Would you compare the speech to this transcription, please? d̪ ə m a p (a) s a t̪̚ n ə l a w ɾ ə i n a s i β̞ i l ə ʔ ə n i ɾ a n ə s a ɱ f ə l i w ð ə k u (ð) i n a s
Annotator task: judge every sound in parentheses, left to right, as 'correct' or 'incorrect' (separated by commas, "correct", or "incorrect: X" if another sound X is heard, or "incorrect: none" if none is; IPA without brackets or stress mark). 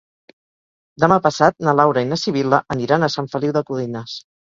incorrect: ə, correct